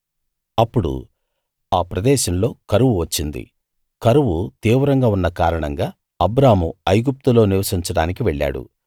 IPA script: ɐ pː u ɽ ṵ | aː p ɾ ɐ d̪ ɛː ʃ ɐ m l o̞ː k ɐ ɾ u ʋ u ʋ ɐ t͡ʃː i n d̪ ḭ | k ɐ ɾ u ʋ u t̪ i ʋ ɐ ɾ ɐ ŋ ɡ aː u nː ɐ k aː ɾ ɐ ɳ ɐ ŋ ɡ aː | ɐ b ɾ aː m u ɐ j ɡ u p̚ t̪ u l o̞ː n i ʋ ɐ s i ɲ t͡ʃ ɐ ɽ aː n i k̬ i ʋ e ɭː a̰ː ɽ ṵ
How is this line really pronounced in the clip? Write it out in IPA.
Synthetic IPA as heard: ɐ pː u ɽ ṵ | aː p ɾ ɐ d̪ ɛː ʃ ɐ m l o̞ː k ɐ ɾ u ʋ u ʋ ɐ t͡ʃː i n d̪ ḭ | k ɐ ɾ u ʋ u t̪ iː ʋ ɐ ɾ ɐ ŋ ɡ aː u nː ɐ k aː ɾ ɐ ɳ ɐ ŋ ɡ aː | ɐ b ɾ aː m u ɐ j ɡ u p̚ t̪ u l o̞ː n i ʋ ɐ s i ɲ t͡ʃ ɐ ɽ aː n i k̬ i ʋ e ɭː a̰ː ɽ ṵ